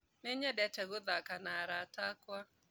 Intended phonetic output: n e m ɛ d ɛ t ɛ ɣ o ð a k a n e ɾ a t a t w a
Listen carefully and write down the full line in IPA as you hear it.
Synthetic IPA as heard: n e ɲ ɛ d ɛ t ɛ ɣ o ð a k a n a ɾ a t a k w a